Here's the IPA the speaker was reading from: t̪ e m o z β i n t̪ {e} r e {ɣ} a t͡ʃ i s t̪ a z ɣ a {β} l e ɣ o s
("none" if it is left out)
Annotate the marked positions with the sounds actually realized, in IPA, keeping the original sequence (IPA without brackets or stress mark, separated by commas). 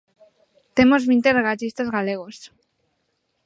e, ɣ, none